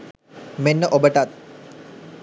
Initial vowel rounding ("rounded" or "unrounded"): unrounded